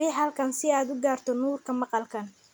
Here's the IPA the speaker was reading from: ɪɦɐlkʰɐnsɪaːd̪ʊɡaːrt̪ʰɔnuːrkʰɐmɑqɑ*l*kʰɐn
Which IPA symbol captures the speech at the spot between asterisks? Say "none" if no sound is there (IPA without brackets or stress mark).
l